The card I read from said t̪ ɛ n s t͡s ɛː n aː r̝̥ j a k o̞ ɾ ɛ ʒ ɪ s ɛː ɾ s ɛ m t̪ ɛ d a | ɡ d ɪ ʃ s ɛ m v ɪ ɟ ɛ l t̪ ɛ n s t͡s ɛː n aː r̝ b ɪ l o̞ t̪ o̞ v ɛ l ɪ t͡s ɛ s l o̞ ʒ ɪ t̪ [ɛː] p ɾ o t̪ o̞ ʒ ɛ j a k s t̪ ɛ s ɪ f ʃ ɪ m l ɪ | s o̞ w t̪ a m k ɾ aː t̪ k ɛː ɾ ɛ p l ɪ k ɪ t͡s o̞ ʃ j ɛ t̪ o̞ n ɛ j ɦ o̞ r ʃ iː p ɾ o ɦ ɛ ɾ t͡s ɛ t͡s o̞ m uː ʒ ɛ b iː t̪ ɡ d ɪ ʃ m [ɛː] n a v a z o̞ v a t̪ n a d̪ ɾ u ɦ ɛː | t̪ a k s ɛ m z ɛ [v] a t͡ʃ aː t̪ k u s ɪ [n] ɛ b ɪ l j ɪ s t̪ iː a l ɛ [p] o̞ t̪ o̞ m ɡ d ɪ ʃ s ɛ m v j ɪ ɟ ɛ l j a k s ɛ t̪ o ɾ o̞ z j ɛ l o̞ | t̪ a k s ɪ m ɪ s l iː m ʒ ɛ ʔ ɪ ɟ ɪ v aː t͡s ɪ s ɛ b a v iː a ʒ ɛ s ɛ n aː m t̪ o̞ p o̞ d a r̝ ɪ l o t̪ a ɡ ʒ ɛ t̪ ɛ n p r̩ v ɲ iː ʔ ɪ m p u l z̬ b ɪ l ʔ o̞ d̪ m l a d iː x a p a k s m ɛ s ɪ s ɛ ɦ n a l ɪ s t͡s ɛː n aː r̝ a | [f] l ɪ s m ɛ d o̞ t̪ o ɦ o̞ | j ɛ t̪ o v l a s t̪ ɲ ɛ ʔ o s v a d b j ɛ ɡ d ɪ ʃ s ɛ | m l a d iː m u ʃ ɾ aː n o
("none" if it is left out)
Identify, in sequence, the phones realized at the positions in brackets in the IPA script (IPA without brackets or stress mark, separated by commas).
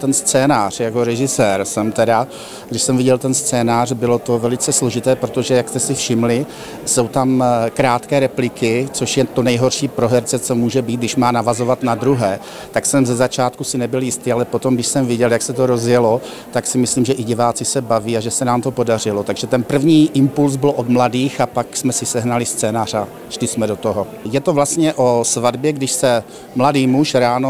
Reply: ɛː, aː, z, n, p, ʃ